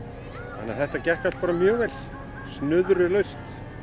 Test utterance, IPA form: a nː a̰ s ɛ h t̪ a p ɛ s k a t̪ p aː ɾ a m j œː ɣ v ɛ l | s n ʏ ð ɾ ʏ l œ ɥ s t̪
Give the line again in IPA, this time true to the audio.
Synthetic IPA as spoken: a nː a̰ θ ɛ h t̪ a c ɛ h k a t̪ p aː ɾ a m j œː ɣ v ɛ l | s n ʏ ð ɾ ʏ l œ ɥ s t̪